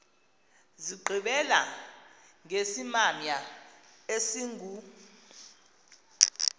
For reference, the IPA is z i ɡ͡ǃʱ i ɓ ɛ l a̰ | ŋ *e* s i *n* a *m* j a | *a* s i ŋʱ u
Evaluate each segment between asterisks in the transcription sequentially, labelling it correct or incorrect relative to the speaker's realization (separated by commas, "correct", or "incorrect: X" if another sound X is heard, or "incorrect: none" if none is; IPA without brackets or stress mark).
correct, incorrect: m, correct, incorrect: e